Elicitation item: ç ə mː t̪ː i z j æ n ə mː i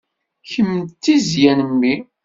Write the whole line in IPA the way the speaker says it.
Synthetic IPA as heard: ç ə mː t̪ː i z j æ n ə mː i